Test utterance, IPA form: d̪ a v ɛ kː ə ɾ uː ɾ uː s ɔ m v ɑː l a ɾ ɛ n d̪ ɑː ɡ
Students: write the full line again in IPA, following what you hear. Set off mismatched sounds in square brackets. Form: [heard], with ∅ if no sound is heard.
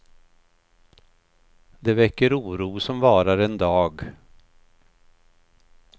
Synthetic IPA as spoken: d̪ [ɛ] v ɛ kː ə ɾ uː ɾ uː s ɔ m v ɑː [ɾ] a ɾ ɛ n d̪ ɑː ɡ